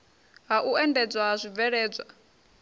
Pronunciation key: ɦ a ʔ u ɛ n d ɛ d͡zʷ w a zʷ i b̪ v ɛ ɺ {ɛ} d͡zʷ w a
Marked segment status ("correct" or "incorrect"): incorrect